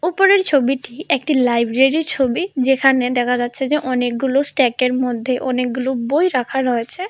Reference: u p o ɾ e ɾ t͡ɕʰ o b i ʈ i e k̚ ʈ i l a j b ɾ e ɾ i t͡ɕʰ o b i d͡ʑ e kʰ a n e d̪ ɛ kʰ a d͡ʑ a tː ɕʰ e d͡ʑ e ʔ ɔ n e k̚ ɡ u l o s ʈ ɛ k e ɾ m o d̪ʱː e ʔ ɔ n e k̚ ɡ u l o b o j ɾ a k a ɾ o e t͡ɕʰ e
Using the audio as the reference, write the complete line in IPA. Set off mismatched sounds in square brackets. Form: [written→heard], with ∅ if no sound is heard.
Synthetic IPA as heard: u p o ɾ e ɾ t͡ɕʰ o b i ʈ i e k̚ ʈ i l a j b ɾ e ɾ i t͡ɕʰ o b i d͡ʑ e kʰ a n e d̪ ɛ kʰ a d͡ʑ a tː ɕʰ e d͡ʑ e ʔ ɔ n e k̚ ɡ u l o s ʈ ɛ k e ɾ m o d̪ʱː e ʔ ɔ n e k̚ ɡ u l o b o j ɾ a [k→kʰ] a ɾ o e t͡ɕʰ e